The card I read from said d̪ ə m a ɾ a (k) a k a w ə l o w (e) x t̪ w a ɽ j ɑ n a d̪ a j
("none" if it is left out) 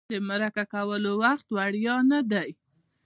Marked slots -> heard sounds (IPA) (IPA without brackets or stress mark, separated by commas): k, a